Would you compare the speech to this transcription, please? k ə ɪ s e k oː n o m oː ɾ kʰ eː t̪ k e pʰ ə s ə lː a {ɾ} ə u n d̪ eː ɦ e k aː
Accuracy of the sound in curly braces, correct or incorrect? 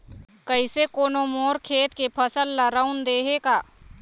correct